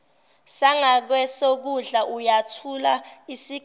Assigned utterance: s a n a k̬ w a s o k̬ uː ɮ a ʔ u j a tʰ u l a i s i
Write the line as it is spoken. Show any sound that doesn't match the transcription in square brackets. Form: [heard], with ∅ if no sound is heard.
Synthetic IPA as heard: s a [ŋ] a k̬ w [ɛ] s o k̬ [u] ɮ a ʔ u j a tʰ u l a i s i